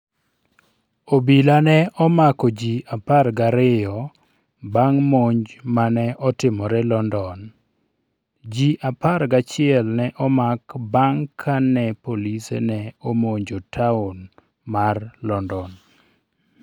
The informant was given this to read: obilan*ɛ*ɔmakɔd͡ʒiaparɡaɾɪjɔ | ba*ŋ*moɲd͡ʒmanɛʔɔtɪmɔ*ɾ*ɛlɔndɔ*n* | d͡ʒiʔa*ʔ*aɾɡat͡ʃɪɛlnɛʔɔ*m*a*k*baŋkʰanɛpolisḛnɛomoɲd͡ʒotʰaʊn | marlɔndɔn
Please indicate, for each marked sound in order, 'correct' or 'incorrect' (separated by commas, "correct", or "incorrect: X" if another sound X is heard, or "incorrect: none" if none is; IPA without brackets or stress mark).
correct, correct, correct, correct, incorrect: p, correct, correct